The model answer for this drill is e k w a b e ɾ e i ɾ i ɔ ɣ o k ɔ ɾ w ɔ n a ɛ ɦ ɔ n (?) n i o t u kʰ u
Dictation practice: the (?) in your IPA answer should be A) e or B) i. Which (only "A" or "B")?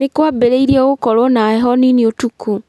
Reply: B